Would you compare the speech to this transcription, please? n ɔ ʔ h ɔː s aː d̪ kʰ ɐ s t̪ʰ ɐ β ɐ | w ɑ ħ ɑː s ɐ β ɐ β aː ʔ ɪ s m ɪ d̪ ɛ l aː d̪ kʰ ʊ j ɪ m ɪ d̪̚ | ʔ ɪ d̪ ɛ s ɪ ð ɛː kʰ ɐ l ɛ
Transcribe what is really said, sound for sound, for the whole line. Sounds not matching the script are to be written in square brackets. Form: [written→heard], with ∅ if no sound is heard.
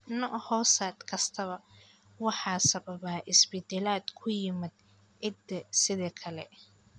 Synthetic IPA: n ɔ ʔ h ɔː s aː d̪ kʰ ɐ s t̪ʰ ɐ β ɐ | w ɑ ħ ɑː s ɐ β ɐ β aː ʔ ɪ s [m→b] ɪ d̪ ɛ l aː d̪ kʰ ʊ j ɪ m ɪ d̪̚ | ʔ ɪ d̪ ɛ s ɪ ð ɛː kʰ ɐ l ɛ